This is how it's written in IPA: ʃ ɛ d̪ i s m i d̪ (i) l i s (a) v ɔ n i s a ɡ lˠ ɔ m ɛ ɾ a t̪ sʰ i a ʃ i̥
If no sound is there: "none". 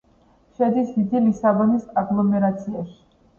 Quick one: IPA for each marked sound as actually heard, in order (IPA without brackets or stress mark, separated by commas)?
i, a